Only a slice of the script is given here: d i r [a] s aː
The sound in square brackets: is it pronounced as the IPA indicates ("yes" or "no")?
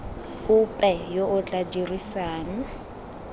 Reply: no